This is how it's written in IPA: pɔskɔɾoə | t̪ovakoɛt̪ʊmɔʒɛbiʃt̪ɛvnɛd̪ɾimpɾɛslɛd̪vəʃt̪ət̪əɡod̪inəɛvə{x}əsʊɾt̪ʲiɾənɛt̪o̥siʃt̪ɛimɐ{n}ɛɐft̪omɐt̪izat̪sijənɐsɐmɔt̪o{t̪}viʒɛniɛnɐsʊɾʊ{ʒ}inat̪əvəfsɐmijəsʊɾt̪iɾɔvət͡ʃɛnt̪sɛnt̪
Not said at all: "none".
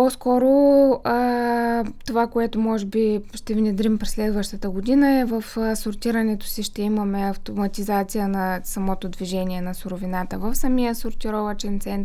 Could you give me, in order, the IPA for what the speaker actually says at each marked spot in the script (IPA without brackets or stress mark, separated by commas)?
f, m, d̪, v